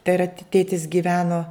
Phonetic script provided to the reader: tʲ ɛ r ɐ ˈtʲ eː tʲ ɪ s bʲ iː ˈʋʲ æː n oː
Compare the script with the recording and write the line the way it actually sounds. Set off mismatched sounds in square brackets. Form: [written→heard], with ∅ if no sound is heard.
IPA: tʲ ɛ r ɐ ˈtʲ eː tʲ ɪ s [bʲ→ɡʲ] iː ˈʋʲ æː n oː